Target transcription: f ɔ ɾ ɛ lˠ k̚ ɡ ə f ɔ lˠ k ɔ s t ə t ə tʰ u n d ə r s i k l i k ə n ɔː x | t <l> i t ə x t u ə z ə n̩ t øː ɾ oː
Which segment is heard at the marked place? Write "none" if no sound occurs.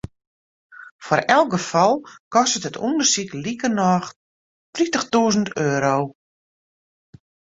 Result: r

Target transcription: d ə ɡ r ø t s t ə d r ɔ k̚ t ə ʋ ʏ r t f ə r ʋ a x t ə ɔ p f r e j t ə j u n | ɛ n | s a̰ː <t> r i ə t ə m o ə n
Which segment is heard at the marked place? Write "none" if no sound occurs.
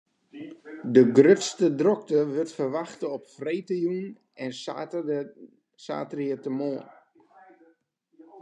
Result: t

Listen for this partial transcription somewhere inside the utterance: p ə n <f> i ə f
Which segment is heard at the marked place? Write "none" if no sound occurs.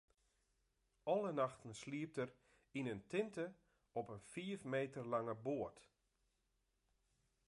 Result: f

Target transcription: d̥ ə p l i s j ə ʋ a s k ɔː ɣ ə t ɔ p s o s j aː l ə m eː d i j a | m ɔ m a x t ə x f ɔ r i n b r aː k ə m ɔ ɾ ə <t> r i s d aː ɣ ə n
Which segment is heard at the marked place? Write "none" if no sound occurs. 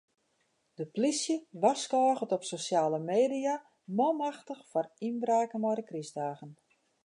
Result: k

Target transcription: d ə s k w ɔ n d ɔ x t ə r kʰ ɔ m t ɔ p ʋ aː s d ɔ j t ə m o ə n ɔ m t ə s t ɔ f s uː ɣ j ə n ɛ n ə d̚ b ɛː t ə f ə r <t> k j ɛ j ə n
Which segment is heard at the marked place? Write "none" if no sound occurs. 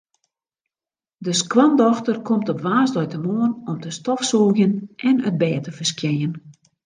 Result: s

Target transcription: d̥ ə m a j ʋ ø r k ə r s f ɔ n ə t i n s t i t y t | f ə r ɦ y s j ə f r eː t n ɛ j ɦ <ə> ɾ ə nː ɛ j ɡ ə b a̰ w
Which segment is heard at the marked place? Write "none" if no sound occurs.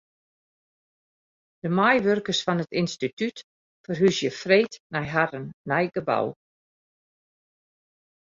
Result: a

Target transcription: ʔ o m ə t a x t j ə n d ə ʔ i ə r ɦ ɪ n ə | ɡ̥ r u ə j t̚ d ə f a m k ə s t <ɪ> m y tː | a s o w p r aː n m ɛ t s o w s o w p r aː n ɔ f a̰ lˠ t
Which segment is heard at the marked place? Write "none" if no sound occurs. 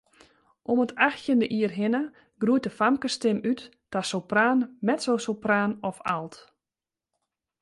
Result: ɪ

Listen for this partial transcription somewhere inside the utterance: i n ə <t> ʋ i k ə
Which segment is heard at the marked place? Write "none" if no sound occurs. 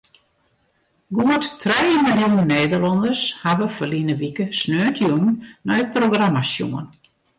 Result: none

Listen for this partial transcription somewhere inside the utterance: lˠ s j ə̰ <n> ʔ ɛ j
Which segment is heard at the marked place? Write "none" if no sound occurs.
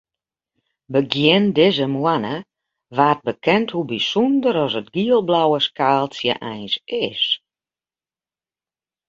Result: none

